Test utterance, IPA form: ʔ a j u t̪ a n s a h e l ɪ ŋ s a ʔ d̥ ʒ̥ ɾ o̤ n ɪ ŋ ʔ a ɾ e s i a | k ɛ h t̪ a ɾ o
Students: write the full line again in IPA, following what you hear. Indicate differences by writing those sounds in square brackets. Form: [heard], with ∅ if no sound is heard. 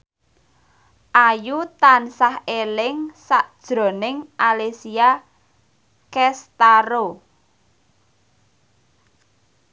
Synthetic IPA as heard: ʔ a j u t̪ a n s a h e l ɪ ŋ s a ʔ d̥ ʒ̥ ɾ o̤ n ɪ ŋ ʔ a [l] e s i a | k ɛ [s] t̪ a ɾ o